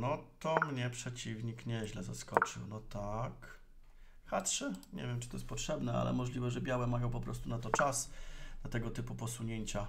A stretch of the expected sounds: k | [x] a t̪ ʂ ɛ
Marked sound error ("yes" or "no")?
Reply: no